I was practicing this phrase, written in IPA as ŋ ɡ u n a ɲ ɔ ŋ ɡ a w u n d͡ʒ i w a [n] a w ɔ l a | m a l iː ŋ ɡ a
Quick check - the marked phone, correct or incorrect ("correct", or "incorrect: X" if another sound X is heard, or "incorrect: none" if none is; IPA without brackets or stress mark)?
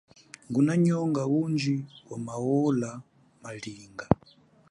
incorrect: m